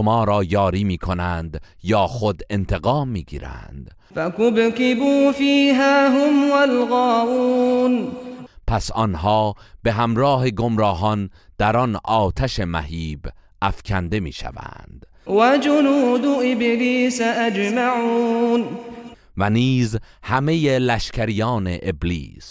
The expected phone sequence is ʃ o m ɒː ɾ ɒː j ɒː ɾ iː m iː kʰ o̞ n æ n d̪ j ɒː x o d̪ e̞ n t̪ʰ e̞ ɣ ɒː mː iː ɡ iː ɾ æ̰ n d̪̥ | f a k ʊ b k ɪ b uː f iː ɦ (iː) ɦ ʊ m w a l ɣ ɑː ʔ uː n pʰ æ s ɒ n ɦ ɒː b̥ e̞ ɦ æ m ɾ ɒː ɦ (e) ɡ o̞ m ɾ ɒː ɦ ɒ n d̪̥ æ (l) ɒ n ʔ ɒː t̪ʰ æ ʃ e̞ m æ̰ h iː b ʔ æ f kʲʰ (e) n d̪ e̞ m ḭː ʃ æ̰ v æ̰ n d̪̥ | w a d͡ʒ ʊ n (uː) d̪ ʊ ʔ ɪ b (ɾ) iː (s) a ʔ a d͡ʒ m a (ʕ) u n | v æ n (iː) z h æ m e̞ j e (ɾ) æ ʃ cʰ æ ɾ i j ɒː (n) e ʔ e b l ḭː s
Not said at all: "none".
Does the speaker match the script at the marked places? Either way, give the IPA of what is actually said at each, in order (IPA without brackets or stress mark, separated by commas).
aː, e, ɾ, æ, uː, l, s, ʕ, iː, l, n